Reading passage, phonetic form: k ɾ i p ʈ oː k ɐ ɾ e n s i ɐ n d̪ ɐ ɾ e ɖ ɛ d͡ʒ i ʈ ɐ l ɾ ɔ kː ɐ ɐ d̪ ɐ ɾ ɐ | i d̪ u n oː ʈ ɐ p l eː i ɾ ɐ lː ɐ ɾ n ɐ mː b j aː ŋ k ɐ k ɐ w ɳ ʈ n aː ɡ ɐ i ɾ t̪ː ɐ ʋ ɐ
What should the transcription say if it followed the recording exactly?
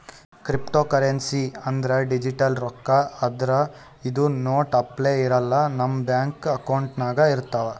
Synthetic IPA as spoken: k ɾ i p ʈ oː k ɐ ɾ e n s i ɐ n d̪ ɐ ɾ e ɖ i d͡ʒ i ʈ ɐ l ɾ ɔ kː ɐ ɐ d̪ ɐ ɾ ɐ | i d̪ u n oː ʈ ɐ p l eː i ɾ ɐ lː ɐ n ɐ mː b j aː ŋ k ɐ k ɐ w ɳ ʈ n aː ɡ ɐ i ɾ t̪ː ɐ ʋ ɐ